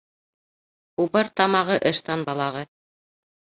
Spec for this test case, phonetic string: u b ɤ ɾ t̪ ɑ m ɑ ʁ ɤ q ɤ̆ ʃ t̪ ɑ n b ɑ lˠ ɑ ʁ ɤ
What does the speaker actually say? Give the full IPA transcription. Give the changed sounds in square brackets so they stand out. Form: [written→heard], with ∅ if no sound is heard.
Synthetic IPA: u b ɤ ɾ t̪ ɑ m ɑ ʁ ɤ [q→ʔ] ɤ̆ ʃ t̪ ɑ n b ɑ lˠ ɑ ʁ ɤ